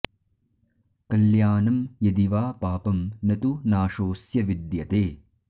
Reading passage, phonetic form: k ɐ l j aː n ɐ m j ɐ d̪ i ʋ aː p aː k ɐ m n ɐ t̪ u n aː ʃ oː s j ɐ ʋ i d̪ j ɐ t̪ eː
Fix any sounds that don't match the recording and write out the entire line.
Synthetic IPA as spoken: k ɐ l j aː n ɐ m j ɐ d̪ i ʋ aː p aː p ɐ m n ɐ t̪ u n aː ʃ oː s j ɐ ʋ i d̪ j ɐ t̪ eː